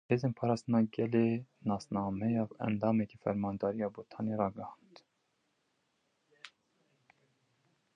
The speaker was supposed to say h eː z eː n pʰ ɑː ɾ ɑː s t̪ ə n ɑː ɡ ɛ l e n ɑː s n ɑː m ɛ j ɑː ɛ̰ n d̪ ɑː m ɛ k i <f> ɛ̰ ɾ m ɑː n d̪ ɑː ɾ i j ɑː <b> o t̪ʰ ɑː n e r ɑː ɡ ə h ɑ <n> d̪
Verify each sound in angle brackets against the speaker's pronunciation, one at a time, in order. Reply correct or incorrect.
correct, correct, correct

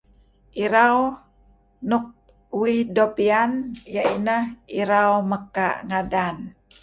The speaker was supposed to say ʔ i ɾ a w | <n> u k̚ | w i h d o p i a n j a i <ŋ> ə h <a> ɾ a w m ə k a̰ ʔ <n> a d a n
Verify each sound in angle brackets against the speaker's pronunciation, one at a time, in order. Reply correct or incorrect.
correct, incorrect: n, incorrect: i, incorrect: ŋ

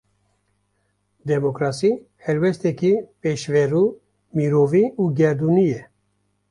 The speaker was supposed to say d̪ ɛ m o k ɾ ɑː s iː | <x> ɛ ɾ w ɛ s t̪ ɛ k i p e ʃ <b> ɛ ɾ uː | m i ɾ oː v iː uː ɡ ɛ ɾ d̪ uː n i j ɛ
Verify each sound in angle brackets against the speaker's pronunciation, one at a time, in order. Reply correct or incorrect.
incorrect: h, incorrect: v

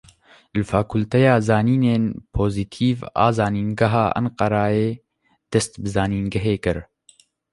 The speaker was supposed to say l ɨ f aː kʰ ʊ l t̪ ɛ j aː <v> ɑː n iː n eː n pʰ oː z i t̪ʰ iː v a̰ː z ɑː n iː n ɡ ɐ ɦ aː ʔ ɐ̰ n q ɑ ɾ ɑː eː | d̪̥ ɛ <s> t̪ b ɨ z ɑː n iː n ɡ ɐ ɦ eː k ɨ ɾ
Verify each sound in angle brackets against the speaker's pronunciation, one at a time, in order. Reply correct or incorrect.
incorrect: z, correct

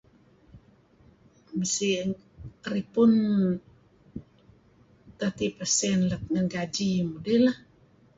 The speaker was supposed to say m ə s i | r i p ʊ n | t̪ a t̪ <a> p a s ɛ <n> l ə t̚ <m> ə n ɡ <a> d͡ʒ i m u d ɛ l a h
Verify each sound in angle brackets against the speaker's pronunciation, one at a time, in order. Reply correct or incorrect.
incorrect: i, correct, incorrect: ŋ, correct

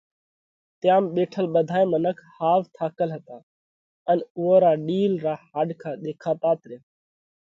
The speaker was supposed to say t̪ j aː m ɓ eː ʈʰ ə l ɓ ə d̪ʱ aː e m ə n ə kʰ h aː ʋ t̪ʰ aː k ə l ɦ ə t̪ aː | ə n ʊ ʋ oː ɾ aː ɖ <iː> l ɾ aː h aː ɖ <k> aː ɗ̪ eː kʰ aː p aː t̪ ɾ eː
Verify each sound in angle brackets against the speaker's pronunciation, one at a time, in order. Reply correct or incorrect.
correct, incorrect: kʰ

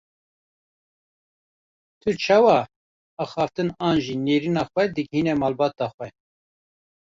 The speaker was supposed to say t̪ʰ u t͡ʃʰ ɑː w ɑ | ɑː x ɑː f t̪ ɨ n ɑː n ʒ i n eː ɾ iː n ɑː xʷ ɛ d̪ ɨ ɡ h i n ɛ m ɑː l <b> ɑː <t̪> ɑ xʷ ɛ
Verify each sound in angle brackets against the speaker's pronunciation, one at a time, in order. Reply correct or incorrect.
correct, correct

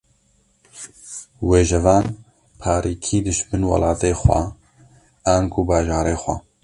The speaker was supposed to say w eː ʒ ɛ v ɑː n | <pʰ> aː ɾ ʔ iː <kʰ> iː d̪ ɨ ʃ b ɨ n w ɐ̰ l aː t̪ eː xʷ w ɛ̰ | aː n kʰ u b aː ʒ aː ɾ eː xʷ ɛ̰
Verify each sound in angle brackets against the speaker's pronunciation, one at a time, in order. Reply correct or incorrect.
correct, correct

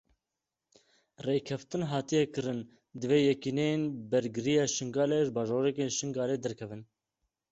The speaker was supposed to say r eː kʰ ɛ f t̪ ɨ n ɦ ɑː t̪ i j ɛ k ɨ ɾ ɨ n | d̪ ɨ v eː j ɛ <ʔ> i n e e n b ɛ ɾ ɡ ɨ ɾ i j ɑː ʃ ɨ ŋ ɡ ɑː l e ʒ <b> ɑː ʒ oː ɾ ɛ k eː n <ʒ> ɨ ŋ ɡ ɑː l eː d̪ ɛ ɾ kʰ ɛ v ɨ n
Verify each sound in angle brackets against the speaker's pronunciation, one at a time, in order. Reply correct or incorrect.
incorrect: k, correct, incorrect: ʃ

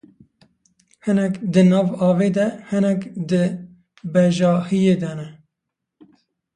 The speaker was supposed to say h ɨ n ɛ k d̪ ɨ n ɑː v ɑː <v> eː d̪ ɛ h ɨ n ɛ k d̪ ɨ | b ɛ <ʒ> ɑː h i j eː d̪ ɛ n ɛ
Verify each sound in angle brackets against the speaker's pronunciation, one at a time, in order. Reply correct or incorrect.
correct, correct

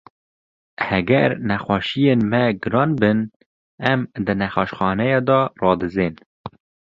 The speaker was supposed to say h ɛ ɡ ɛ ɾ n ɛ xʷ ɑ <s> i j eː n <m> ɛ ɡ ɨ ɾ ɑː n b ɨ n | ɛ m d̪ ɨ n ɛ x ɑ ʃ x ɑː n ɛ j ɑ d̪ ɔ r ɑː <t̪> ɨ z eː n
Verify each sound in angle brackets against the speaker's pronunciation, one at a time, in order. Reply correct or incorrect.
incorrect: ʃ, correct, incorrect: d̪

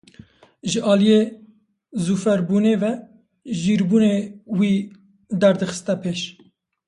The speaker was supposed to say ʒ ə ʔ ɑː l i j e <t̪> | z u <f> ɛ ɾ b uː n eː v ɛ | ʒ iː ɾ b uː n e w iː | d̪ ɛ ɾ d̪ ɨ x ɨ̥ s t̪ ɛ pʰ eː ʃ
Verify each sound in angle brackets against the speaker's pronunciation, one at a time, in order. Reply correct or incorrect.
incorrect: none, correct

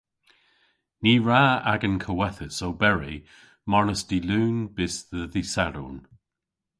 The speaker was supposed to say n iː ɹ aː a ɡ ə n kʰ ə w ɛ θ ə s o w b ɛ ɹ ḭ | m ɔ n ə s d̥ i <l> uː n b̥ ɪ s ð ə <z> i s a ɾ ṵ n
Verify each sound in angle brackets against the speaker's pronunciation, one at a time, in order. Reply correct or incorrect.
correct, incorrect: ð

